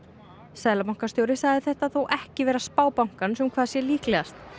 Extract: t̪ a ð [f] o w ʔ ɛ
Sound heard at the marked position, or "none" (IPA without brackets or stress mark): θ